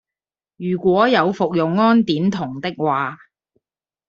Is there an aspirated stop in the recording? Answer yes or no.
yes